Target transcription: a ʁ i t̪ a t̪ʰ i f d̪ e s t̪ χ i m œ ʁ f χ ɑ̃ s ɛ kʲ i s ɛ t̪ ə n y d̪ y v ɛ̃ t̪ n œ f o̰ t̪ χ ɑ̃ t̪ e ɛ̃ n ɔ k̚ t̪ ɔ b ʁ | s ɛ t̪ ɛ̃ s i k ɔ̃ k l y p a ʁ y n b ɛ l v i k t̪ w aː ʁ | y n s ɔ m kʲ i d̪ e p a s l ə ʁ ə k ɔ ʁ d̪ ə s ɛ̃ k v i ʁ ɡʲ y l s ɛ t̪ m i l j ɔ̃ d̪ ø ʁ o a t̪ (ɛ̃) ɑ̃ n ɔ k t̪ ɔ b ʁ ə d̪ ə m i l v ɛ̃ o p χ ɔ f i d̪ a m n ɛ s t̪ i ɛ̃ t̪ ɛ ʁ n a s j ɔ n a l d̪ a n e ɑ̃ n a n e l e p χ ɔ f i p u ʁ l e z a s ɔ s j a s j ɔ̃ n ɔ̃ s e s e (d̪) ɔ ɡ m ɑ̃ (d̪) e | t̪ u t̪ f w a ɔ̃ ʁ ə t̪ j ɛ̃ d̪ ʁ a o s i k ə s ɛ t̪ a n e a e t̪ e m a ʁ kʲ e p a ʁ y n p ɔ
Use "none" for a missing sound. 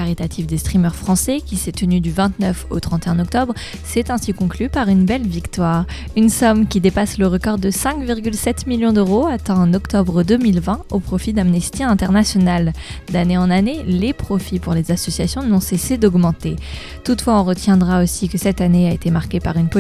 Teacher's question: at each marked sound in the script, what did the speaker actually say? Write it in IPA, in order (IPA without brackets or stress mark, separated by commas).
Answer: ɛ̃, d̪, t̪